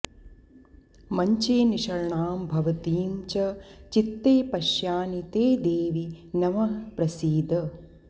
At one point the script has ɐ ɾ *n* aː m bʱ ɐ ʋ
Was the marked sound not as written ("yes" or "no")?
yes